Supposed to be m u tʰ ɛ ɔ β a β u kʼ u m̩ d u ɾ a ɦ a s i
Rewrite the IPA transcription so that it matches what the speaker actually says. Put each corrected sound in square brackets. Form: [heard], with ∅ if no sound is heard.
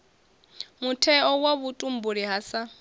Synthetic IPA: m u tʰ ɛ ɔ [w] a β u [tʼ] u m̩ [b] u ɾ [i] ɦ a s [a]